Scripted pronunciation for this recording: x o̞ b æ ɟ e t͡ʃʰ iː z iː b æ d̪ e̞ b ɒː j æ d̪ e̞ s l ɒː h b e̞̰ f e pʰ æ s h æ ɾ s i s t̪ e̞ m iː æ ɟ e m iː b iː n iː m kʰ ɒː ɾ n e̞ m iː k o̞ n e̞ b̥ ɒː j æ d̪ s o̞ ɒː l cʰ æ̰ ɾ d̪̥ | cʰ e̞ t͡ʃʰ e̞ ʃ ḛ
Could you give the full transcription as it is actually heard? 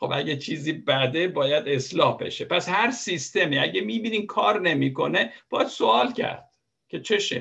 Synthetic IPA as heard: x o̞ b æ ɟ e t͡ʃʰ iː z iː b æ d̪ e̞ b ɒː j æ d̪ e̞ s l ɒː h b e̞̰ ʃ e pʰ æ s h æ ɾ s i s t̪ e̞ m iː æ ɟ e m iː b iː n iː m kʰ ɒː ɾ n e̞ m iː k o̞ n e̞ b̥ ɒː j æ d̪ s o̞ ɒː l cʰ æ̰ ɾ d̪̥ | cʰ e̞ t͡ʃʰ e̞ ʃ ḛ